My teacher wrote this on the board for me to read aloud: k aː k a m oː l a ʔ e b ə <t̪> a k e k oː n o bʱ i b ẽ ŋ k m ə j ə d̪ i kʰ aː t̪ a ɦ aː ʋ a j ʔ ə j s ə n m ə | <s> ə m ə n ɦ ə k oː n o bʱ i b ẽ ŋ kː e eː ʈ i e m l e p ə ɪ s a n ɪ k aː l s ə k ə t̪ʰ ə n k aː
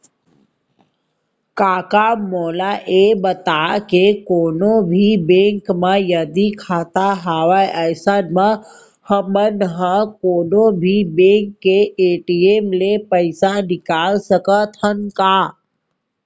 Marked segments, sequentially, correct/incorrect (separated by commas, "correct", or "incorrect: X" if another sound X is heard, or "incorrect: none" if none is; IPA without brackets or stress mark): correct, incorrect: h